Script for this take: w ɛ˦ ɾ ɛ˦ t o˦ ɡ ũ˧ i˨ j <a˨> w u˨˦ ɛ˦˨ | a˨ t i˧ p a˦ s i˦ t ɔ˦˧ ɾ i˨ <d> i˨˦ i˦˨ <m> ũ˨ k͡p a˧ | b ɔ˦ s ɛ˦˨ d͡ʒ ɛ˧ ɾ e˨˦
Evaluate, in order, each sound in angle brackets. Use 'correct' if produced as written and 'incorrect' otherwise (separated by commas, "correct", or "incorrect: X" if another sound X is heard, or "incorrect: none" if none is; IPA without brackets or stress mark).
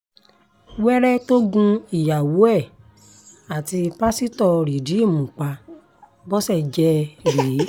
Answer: correct, correct, correct